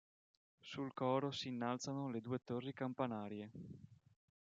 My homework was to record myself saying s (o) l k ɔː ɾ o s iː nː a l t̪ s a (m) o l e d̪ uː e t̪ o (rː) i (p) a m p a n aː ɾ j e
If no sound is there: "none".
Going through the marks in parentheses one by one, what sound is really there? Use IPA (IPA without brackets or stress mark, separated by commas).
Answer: u, n, rː, k